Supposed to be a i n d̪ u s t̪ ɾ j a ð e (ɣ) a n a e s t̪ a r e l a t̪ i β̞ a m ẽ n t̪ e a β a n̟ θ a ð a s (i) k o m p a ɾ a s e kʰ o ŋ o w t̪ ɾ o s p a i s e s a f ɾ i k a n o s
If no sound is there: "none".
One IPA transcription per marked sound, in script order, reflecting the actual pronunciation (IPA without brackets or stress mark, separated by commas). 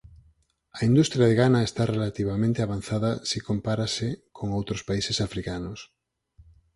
ɣ, i